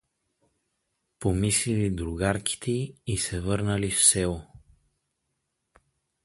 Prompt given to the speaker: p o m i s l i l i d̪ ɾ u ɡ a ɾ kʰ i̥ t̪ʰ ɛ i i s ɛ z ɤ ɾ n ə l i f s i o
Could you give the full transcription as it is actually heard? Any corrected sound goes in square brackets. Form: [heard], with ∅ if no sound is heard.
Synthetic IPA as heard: p o m i s l i l i d̪ ɾ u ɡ a ɾ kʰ i̥ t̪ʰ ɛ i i s ɛ [v] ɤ ɾ n ə l i f s [ɛ] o